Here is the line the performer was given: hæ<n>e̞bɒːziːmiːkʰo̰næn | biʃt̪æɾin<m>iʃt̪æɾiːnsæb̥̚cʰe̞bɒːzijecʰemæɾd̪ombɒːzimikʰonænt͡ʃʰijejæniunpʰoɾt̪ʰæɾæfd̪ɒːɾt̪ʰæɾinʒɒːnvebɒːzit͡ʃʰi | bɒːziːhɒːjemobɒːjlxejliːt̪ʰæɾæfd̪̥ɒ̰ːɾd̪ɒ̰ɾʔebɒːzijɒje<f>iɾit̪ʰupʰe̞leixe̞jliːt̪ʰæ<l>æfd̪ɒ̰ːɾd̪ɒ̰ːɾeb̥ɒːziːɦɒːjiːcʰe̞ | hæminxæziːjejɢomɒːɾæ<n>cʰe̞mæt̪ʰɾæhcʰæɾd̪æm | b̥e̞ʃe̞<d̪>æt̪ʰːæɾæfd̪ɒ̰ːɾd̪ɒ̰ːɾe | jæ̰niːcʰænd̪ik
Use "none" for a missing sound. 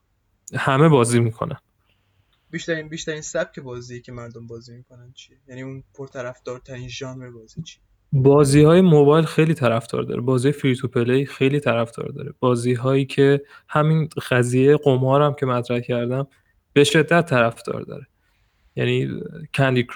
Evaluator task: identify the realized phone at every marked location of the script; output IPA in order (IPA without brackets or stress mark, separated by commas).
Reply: m, b, f, ɾ, m, d̪ː